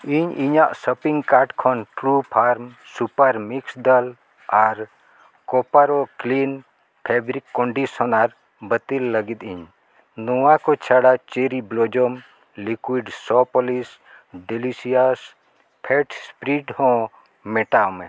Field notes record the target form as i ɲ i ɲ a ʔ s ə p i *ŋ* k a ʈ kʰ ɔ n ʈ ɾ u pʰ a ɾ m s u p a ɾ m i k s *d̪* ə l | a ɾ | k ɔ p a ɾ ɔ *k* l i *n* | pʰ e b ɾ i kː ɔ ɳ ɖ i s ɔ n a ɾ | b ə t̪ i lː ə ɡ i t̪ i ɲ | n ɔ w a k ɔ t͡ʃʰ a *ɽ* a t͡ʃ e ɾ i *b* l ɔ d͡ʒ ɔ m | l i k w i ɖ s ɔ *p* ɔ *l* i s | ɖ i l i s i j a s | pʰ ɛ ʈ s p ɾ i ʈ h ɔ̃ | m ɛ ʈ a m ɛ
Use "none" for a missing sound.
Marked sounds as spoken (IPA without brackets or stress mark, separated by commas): ŋ, d̪, k, n, ɽ, b, p, l